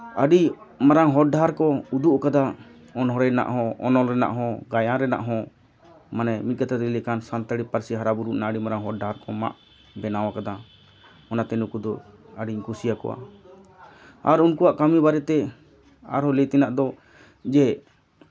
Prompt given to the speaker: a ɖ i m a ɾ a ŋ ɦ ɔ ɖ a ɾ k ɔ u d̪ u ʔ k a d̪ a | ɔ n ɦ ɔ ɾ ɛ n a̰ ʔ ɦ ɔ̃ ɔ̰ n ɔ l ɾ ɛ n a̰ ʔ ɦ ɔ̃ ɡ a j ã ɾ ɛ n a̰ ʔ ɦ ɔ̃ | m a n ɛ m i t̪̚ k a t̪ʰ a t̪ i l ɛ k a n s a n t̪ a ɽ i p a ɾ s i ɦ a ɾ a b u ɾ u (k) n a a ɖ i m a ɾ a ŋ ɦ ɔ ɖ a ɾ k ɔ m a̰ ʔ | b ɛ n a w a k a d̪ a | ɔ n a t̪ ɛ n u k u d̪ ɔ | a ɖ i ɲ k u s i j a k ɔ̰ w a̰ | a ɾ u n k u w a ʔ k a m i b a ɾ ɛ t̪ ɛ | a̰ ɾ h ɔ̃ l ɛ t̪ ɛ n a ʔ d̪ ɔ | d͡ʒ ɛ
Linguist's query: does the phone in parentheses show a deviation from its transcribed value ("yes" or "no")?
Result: yes